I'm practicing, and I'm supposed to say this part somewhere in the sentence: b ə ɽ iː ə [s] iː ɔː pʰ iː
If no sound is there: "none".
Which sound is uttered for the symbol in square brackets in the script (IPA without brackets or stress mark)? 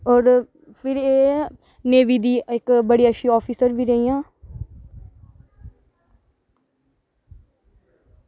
ʃ